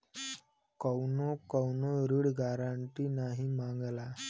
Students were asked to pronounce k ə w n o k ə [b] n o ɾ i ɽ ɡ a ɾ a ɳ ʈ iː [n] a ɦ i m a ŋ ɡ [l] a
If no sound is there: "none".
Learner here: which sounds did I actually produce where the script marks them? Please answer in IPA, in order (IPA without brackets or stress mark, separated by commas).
w, n, l